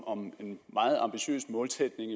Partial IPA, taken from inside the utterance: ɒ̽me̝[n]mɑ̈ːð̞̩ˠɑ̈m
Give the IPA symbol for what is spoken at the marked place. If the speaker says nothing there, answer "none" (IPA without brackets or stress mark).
n